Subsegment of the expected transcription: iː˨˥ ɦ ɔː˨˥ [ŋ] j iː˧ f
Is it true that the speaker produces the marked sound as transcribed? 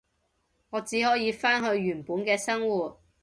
no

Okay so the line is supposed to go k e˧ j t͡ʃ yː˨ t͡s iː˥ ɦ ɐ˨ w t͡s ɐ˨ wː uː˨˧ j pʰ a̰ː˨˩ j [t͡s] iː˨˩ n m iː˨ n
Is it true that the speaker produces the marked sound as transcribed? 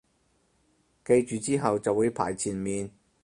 no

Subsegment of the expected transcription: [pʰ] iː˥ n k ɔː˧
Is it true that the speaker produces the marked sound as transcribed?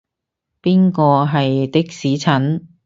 no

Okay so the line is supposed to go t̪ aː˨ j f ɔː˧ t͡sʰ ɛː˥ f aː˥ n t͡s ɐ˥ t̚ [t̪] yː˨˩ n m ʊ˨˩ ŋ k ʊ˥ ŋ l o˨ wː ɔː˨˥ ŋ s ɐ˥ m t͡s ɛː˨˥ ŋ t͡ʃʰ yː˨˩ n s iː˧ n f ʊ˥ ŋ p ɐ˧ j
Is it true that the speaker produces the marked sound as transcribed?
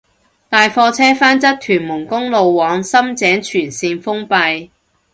no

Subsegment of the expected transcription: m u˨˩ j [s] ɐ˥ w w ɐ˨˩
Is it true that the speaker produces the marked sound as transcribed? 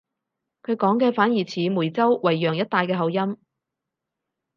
no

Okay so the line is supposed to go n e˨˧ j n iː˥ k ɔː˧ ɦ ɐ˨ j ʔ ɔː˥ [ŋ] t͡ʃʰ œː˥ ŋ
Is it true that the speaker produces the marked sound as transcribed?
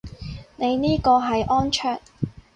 no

